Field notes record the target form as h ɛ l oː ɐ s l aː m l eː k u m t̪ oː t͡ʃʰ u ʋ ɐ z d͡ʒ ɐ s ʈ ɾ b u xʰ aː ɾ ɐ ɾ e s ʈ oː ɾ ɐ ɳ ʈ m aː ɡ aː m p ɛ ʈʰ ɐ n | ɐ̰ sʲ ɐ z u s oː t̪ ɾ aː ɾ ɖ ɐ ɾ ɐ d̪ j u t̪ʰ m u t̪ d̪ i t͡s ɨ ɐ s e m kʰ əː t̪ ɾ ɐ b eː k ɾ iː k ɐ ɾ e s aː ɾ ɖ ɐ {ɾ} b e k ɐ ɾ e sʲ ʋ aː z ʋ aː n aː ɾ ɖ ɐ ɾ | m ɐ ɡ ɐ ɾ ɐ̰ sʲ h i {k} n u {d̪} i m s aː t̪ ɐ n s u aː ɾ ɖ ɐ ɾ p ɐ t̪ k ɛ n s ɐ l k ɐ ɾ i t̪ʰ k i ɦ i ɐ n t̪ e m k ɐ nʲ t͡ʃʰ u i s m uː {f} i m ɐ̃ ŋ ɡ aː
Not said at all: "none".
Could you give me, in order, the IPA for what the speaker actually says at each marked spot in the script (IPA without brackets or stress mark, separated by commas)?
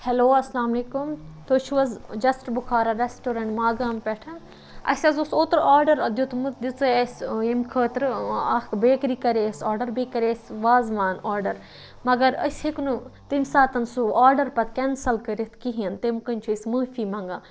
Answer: ɾ, k, t̪, f